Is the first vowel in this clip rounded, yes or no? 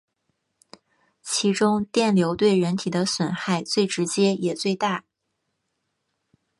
no